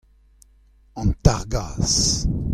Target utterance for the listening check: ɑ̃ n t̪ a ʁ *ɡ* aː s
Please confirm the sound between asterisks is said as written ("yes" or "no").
yes